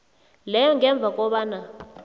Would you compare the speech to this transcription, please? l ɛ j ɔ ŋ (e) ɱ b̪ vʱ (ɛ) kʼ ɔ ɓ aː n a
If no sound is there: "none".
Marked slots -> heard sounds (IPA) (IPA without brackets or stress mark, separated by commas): ɛ, a